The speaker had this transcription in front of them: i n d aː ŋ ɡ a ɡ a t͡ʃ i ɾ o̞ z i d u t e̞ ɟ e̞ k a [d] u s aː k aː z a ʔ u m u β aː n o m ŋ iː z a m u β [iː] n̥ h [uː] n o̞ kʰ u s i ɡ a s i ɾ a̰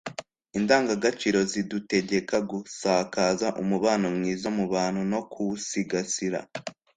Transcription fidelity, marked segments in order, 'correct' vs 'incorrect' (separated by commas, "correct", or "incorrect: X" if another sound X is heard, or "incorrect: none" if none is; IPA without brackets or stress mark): incorrect: ɡ, incorrect: aː, incorrect: u